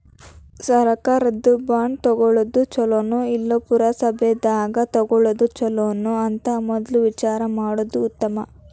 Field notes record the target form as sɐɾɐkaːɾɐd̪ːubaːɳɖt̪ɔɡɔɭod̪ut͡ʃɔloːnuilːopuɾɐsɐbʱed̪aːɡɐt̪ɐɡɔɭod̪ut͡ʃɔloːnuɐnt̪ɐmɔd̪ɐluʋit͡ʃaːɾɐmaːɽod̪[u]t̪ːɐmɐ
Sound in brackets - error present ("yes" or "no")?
yes